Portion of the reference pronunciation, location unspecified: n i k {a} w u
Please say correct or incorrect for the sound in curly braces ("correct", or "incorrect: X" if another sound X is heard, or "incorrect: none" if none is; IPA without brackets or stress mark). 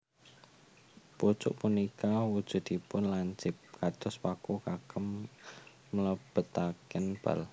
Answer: correct